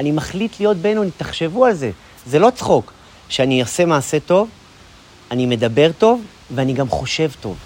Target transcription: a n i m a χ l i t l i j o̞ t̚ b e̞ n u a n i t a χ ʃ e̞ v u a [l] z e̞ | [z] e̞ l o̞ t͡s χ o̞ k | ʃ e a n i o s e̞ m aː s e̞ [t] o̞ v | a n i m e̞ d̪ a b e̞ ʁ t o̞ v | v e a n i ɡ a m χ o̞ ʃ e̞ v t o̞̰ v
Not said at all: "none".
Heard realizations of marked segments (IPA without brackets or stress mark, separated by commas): l, z, t